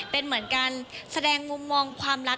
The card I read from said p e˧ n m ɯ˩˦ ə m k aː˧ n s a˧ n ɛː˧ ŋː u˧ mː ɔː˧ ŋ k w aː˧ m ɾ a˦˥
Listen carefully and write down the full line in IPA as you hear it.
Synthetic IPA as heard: p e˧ n m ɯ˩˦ ə n k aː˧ n s a˧ d ɛː˧ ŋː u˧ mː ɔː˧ ŋ kʰ w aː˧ m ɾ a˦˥